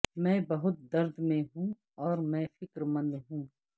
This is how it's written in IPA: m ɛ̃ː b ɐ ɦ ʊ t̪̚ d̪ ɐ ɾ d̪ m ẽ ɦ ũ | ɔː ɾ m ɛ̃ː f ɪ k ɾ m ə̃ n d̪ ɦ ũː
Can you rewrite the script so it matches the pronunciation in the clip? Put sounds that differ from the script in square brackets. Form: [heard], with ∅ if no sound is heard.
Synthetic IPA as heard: m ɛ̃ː b ɐ ɦ ʊ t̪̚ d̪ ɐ ɾ d̪ m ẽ ɦ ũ | ɔː ɾ m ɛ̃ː f ɪ k ɾ m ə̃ n d̪ ɦ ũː

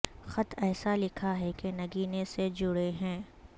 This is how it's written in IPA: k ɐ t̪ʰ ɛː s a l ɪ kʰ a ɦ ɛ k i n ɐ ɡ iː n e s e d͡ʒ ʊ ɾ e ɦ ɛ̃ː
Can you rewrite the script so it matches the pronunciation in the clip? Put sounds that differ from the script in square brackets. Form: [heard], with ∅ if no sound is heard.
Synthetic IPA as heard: [x] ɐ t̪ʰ ɛː s a l ɪ kʰ a ɦ ɛ k [e] n ɐ ɡ iː n e s e d͡ʒ ʊ [ɽ] e ɦ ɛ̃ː

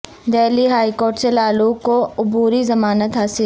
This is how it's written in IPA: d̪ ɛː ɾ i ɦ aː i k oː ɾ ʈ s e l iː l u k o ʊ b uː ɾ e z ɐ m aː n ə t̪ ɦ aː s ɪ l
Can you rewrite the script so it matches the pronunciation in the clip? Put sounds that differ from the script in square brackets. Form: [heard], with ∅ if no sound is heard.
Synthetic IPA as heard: d̪ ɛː [l] i ɦ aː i k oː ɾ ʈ s e l [aː] l u k o ʊ b uː ɾ [i] z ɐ m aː n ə t̪ ɦ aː s ɪ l

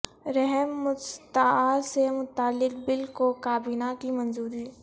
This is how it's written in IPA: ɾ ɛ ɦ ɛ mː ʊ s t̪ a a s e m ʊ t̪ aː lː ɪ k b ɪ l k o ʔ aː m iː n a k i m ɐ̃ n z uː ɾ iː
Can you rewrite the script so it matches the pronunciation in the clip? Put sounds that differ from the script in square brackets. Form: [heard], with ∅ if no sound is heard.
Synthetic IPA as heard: ɾ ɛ ɦ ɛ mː ʊ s t̪ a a s e m ʊ t̪ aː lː ɪ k b ɪ l k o [k] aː [b] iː n a k i m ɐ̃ n z uː ɾ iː

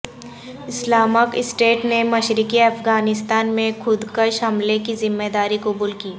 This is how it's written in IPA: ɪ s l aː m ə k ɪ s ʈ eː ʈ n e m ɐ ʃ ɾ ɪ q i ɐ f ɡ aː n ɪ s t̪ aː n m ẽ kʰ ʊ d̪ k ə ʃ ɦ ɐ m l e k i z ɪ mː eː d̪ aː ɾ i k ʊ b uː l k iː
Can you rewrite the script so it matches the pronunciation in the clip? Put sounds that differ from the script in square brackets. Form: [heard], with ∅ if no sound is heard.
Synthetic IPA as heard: ɪ s l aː m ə k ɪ s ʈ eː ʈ n e m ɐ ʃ ɾ ɪ [k] i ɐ f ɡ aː n ɪ s t̪ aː n m ẽ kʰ ʊ d̪ k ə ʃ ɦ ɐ m l e k i z ɪ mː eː d̪ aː ɾ i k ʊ b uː l k iː

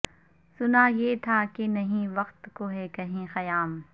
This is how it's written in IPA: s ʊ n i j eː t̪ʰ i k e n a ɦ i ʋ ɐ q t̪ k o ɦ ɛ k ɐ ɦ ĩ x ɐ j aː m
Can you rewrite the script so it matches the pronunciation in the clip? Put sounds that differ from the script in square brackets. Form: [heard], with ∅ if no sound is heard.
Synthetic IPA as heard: s ʊ n [a] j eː t̪ʰ [a] k e n [ɐ] ɦ [ĩ] ʋ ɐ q t̪ k o ɦ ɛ k ɐ ɦ ĩ x ɐ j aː m

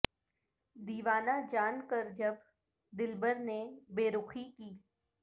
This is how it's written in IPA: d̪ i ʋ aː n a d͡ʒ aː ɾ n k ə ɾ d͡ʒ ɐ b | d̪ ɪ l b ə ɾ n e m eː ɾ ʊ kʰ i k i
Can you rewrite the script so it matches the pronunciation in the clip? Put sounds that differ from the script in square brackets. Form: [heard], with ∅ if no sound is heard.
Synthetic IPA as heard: d̪ [iː] ʋ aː n a d͡ʒ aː [∅] n k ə ɾ d͡ʒ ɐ b | d̪ ɪ l b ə ɾ n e [b] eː ɾ ʊ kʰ i k [iː]

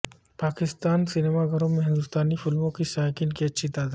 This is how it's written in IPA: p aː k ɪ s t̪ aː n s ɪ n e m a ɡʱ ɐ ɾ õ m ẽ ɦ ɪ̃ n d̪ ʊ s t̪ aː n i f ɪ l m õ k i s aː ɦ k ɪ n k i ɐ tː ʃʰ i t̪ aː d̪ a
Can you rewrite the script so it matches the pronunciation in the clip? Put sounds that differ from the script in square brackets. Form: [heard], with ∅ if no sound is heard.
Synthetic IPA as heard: p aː k ɪ s t̪ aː n s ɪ n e m a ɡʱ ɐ ɾ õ m ẽ ɦ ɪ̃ n d̪ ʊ s t̪ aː n i f ɪ l m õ k i s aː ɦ k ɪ n k i ɐ tː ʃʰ i t̪ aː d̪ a

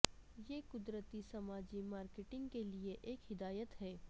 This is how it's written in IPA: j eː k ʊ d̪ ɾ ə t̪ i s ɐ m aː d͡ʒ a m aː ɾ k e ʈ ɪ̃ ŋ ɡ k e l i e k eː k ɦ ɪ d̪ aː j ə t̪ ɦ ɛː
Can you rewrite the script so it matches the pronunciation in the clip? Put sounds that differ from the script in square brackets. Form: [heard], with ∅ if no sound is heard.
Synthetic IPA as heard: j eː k ʊ d̪ ɾ ə t̪ i s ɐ m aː d͡ʒ [i] m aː ɾ k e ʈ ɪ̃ ŋ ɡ k e l i e [ʔ] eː k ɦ ɪ d̪ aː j ə t̪ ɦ ɛː

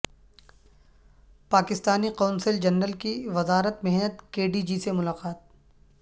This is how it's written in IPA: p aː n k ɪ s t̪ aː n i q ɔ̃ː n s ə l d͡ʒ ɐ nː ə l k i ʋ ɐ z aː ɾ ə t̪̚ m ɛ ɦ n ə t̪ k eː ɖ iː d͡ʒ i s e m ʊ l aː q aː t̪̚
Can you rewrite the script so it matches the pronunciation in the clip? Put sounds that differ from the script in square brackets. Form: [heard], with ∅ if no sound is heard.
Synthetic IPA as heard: p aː [∅] k ɪ s t̪ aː n i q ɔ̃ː n s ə l d͡ʒ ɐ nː ə l k i ʋ ɐ z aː ɾ ə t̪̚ m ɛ ɦ n ə t̪ k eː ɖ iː d͡ʒ i s e m ʊ l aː q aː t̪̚

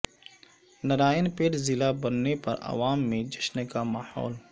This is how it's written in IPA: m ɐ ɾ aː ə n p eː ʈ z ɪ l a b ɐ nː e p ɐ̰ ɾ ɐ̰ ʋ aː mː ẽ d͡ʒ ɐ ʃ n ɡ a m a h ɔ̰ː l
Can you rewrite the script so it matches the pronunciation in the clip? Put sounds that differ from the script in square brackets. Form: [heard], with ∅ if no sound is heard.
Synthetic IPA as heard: [n] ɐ ɾ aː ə n p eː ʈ z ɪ l a b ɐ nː e p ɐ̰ ɾ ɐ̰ ʋ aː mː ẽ d͡ʒ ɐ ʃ n [k] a m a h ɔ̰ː l

